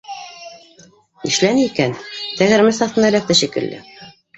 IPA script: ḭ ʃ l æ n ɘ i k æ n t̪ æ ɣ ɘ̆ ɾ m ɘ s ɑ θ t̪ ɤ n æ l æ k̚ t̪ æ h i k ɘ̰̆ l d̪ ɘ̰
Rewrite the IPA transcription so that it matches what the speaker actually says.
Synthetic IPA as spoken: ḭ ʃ l æ n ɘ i k æ n t̪ æ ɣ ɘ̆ ɾ m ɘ s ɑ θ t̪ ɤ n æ l æ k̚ t̪ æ ʃ i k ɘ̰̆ l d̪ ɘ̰